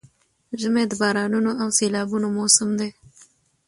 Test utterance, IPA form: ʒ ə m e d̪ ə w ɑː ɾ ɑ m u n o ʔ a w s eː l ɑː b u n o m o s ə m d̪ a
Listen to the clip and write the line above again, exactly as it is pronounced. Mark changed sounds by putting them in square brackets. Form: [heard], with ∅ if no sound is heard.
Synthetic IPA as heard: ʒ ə m e d̪ ə [b] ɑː ɾ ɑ [n] u n o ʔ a w s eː l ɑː b u n o m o s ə m d̪ [e]